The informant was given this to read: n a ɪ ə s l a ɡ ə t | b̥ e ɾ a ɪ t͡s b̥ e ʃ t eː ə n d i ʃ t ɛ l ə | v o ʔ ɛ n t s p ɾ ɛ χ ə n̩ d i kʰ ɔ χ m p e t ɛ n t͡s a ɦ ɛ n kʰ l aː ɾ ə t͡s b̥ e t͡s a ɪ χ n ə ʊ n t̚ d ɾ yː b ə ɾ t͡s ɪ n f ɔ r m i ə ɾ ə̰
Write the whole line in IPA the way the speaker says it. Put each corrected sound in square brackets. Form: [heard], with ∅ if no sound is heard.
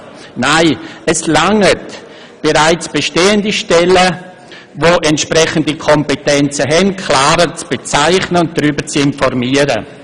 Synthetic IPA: n a ɪ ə s l a [ŋ] ə t | b̥ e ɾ a ɪ t͡s b̥ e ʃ t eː ə n d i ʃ t ɛ l ə | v o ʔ ɛ n t [ʃ] p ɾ ɛ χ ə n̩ d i kʰ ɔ [∅] m p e t ɛ n t͡s [ə] ɦ ɛ n kʰ l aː ɾ ə t͡s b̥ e t͡s a ɪ χ n ə ʊ n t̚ d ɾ yː b ə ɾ t͡s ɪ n f ɔ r m i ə ɾ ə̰